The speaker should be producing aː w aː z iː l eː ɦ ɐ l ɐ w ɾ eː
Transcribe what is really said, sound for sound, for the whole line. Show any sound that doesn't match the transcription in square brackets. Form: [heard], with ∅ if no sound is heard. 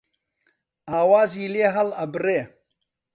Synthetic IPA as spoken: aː w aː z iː l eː ɦ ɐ l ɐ [b] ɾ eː